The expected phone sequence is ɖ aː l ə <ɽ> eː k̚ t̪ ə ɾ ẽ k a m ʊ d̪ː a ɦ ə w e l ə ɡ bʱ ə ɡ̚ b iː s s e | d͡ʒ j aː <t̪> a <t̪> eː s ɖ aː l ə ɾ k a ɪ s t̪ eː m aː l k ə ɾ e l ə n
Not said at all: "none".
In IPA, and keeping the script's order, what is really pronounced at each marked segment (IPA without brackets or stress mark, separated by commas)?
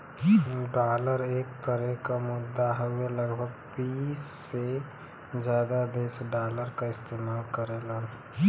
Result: ɾ, d̪, d̪